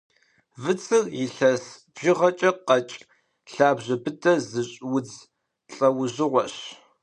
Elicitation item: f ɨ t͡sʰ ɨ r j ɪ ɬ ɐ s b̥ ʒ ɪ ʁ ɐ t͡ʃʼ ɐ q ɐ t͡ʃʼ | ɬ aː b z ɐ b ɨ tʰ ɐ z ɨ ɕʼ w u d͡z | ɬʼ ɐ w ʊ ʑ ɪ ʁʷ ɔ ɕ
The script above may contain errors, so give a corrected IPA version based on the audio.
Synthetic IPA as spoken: v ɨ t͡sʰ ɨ r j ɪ ɬ ɐ s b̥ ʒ ɪ ʁ ɐ t͡ʃʼ ɐ q ɐ t͡ʃʼ | ɬ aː b ʑ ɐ b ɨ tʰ ɐ z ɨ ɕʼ w ʊ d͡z | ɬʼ ɐ w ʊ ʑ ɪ ʁʷ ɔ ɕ